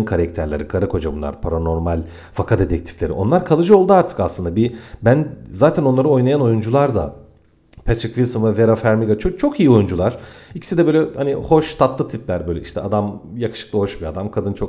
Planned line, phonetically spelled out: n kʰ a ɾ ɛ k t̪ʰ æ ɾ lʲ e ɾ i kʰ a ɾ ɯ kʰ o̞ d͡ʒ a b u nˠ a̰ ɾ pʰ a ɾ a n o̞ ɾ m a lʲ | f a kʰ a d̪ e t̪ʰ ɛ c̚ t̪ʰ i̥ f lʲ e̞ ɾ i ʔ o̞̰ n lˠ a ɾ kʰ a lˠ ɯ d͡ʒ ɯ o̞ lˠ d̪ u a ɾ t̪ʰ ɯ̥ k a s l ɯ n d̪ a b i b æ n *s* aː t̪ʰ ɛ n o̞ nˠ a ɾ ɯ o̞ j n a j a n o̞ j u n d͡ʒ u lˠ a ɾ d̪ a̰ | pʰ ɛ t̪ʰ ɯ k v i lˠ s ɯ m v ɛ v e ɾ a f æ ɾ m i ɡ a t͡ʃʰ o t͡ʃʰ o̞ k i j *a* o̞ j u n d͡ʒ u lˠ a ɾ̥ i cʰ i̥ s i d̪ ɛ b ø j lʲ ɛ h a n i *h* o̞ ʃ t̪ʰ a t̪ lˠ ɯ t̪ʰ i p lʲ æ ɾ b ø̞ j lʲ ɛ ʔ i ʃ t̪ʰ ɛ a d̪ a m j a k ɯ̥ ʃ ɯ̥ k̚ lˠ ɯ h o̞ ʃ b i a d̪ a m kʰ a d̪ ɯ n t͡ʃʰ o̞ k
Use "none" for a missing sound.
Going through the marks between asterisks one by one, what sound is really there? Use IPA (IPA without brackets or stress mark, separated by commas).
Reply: z, i, h